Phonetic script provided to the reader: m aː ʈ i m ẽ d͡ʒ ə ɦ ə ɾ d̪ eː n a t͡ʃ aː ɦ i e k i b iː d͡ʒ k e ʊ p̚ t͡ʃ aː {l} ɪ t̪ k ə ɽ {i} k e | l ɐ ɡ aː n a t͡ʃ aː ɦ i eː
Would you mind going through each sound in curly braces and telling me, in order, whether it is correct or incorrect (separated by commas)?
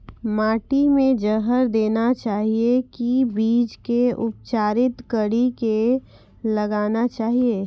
incorrect, correct